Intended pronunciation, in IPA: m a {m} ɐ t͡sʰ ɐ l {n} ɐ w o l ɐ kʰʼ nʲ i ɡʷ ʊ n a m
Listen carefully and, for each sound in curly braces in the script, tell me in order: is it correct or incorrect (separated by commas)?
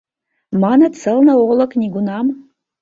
incorrect, correct